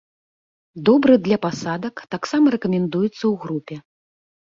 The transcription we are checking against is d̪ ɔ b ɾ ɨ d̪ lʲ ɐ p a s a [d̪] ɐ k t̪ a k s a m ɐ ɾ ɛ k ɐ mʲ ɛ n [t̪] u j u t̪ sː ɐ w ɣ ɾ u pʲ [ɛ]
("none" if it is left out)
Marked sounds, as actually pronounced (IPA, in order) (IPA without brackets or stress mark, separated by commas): d̪, d̪, ɛ